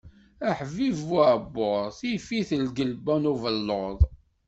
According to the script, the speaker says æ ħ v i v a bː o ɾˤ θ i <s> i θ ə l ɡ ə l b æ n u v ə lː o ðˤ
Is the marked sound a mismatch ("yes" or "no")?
yes